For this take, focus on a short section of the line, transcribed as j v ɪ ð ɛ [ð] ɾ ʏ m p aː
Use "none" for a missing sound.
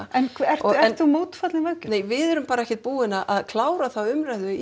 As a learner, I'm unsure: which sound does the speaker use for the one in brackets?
none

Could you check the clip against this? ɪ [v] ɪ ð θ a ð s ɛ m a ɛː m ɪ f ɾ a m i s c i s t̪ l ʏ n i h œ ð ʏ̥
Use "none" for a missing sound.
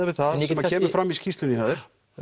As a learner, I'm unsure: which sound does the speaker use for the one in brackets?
v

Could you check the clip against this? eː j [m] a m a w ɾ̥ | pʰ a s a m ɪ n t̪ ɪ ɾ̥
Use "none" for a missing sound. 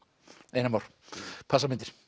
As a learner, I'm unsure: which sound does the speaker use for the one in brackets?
n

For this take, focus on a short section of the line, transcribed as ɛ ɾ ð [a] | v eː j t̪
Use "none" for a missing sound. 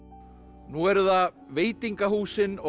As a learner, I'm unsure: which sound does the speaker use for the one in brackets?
a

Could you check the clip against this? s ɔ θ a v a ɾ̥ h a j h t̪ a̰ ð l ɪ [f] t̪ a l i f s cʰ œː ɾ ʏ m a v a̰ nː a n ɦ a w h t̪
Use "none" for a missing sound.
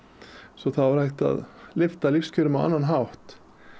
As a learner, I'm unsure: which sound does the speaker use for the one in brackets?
f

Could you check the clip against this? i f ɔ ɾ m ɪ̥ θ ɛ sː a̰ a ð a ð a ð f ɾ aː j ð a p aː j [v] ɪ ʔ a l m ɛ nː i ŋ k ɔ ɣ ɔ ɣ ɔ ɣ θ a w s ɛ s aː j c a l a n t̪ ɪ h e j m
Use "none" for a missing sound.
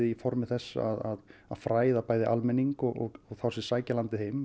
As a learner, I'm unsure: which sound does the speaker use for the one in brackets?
ð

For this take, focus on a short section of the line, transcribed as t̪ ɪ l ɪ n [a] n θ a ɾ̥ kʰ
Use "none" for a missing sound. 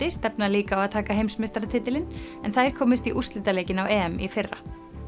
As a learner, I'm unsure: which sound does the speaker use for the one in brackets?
ɛ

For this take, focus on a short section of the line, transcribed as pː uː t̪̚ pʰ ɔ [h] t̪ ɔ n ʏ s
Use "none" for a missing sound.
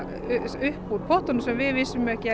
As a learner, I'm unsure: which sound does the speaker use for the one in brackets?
h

